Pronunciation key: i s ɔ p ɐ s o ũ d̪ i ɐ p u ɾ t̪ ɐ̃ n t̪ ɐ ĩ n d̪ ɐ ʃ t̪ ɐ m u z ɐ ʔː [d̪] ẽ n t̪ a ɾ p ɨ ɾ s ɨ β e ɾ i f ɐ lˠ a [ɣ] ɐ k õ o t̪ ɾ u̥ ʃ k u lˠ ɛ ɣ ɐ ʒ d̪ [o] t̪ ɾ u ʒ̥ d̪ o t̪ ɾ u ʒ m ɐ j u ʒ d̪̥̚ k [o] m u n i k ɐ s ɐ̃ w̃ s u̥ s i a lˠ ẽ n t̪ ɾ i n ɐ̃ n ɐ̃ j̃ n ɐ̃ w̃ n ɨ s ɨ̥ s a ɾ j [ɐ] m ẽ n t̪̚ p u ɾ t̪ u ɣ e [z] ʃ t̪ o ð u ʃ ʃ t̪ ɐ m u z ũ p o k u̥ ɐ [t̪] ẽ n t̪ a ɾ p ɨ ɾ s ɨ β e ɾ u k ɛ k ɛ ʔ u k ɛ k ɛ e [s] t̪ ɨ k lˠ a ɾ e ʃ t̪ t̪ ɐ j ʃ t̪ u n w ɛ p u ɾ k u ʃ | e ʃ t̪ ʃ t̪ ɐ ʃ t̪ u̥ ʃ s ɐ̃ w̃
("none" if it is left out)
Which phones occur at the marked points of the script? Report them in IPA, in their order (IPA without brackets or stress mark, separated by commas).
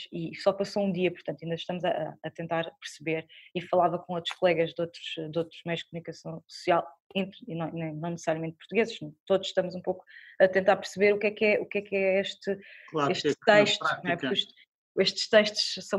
t̪, v, o, u, ɐ, z, t̪, ʃ